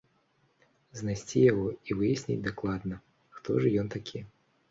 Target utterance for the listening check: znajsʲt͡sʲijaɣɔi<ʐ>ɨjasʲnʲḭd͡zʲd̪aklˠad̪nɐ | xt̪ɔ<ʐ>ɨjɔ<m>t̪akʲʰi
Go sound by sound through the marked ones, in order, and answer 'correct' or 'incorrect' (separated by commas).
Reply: incorrect, correct, incorrect